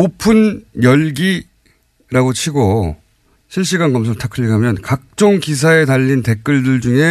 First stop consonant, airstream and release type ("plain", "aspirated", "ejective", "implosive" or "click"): aspirated